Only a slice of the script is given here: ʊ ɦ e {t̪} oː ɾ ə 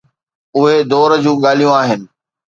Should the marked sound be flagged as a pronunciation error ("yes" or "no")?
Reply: yes